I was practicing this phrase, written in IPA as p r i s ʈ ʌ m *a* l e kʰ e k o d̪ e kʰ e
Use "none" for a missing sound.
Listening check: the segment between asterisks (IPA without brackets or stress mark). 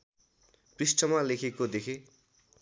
a